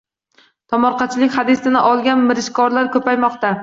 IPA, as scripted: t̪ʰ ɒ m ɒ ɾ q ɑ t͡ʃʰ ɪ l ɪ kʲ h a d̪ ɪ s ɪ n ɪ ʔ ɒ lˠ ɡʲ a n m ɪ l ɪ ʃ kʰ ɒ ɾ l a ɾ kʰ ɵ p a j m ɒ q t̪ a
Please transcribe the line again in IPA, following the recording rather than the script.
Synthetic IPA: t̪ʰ ɒ m ɒ ɾ q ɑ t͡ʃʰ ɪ l ɪ kʲ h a d̪ ɪ s ɪ n ɪ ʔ ɒ lˠ ɡʲ a n m ɪ ɾ ɪ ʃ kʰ ɒ ɾ l a ɾ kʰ ɵ p a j m ɒ q t̪ a

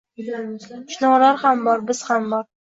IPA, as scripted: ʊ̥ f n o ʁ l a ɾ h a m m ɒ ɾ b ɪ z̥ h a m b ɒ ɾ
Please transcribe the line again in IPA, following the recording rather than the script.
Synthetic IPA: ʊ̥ ʃ n ɒ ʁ l a ɾ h a m b ɒ ɾ b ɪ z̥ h a m b ɒ ɾ

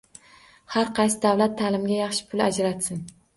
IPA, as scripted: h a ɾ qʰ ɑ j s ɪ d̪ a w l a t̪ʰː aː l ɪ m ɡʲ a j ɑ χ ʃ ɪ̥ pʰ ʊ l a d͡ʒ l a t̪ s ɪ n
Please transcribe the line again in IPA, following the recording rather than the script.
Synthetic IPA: h a ɾ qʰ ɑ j s ɪ d̪ a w l a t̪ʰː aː l ɪ m ɡʲ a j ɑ χ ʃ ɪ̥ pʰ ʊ l a d͡ʒ ɾ a t̪ s ɪ n

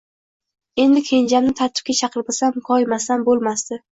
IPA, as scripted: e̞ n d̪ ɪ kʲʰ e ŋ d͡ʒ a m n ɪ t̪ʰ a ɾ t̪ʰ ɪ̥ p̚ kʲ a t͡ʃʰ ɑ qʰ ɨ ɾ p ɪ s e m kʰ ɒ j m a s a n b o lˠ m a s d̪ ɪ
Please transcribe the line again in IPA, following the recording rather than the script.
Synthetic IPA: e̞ n d̪ ɪ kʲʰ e n d͡ʒ a m n ɪ t̪ʰ a ɾ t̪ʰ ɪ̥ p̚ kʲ a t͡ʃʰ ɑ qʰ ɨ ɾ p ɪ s a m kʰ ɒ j m a s a n b o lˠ m a s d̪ ɪ

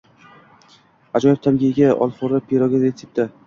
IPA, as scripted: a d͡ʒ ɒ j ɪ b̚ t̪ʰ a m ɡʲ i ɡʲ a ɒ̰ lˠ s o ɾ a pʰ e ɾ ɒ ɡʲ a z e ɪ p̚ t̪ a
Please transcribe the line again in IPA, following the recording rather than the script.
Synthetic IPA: a d͡ʒ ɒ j ɪ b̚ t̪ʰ a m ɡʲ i ɡʲ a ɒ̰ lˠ f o ɾ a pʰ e ɾ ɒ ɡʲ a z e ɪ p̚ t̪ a

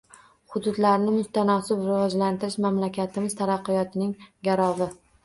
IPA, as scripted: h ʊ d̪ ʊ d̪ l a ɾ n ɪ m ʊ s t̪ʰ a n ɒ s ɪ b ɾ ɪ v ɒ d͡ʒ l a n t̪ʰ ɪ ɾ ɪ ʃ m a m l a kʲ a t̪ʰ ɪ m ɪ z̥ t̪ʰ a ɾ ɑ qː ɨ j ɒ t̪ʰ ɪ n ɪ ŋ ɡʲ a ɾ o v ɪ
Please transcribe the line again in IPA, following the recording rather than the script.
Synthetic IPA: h ʊ d̪ ʊ d̪ l a ɾ n ɪ m ʊ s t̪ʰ a n ɒ s ɪ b ɾ ɪ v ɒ d͡ʒ l a n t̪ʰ ɪ ɾ ɪ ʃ m a m l a kʲ a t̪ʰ ɪ m ɪ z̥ t̪ʰ a ɾ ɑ qː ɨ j ɒ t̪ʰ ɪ n ɪ ŋ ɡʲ a ɾ ɒ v ɪ

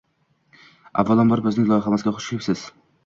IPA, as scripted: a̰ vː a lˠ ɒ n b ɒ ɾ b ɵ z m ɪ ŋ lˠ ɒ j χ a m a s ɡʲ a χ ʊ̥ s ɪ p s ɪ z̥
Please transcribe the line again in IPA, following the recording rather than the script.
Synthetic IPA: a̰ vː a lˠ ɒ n b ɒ ɾ b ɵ z n ɪ ŋ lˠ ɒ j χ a m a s ɡʲ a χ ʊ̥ ʃ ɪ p s ɪ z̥

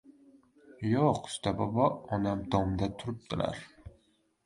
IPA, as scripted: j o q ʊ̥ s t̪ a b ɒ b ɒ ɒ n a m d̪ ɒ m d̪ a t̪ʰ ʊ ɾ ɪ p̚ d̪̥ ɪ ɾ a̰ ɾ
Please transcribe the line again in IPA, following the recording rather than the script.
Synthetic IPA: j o q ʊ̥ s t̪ a b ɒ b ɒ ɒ n a m d̪ ɒ m d̪ a t̪ʰ ʊ ɾ ɪ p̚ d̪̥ ɪ l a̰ ɾ

